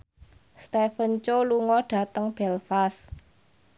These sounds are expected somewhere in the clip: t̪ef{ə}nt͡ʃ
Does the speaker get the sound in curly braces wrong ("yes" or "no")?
no